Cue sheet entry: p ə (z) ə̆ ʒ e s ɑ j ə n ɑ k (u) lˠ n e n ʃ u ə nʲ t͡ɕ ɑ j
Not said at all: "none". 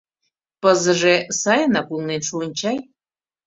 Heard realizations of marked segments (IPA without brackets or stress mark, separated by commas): z, u